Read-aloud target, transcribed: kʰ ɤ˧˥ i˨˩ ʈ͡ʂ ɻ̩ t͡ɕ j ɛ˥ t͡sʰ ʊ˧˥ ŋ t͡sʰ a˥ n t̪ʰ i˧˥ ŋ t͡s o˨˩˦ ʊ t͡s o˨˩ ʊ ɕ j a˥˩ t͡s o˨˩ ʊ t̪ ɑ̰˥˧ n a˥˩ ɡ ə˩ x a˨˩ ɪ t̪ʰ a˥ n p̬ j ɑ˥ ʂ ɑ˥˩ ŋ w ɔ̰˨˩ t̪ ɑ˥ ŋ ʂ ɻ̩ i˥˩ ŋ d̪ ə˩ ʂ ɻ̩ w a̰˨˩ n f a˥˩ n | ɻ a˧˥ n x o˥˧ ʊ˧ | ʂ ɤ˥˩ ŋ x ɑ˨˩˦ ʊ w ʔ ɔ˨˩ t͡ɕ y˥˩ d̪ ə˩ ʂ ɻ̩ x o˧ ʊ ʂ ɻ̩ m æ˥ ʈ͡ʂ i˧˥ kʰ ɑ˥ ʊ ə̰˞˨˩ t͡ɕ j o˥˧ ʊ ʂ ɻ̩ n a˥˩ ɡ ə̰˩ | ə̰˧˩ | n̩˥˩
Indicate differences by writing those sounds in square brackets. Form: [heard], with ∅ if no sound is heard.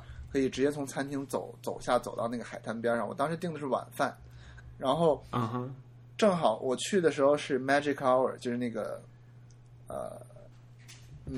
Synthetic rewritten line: kʰ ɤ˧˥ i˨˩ ʈ͡ʂ ɻ̩ t͡ɕ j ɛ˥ t͡sʰ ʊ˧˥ ŋ t͡sʰ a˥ n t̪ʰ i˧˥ ŋ t͡s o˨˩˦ ʊ t͡s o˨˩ ʊ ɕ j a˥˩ t͡s o˨˩ ʊ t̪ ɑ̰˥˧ n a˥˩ ɡ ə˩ x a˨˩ ɪ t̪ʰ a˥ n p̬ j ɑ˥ ʂ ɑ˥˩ ŋ w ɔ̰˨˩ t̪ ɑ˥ ŋ ʂ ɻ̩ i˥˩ ŋ d̪ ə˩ ʂ ɻ̩ w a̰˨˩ n f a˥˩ n | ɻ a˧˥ n x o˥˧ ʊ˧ | [ʈ͡ʂ] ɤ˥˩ ŋ x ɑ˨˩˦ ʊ w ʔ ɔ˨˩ [t͡ɕʰ] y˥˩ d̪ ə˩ ʂ ɻ̩ x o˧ ʊ ʂ ɻ̩ m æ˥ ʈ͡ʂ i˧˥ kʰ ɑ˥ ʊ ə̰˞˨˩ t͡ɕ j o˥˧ ʊ ʂ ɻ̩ n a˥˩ ɡ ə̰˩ | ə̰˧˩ | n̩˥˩